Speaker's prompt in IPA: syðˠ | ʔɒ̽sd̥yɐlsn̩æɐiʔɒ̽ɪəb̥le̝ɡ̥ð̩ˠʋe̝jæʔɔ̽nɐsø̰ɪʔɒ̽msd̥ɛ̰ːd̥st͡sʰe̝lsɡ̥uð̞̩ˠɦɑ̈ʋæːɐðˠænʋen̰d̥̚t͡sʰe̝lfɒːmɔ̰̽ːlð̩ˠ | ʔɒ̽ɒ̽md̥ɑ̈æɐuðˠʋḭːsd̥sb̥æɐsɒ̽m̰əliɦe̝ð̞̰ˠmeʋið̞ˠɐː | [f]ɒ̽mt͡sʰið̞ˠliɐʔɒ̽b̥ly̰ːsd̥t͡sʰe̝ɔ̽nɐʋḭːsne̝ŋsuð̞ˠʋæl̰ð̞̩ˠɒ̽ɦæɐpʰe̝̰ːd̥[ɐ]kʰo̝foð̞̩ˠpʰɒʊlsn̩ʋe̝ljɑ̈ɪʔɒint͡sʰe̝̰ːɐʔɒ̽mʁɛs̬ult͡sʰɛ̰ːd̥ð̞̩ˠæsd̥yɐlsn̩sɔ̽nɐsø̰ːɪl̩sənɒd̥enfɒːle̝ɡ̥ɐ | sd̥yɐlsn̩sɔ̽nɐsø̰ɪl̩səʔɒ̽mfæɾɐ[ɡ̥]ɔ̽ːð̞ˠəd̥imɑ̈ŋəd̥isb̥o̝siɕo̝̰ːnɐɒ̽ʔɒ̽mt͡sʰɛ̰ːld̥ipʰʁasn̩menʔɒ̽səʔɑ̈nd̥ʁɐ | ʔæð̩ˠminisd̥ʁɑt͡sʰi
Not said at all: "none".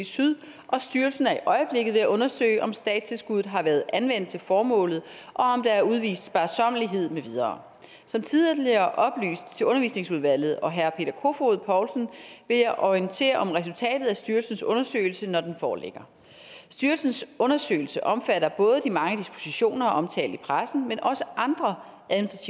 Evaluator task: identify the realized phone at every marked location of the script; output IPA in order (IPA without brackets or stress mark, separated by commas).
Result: s, ɐ, b̥